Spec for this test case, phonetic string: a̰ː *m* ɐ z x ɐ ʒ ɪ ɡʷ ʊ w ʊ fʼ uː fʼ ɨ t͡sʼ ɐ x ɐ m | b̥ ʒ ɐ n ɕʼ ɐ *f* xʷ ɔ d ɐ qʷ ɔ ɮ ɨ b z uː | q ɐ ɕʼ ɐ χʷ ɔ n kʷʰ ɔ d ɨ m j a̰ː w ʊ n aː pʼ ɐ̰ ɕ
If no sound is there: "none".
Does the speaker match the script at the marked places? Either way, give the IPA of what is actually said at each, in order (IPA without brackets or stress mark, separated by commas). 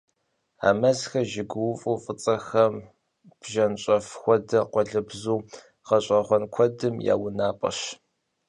m, f